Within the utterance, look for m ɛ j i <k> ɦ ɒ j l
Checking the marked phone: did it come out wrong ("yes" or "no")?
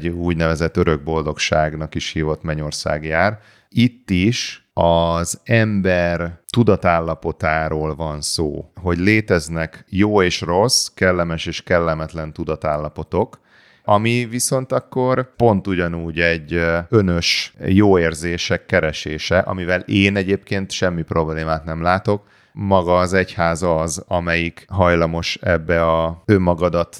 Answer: no